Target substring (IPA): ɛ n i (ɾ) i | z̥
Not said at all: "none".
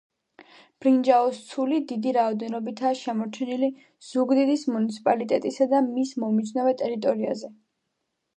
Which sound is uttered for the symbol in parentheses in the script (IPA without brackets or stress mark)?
l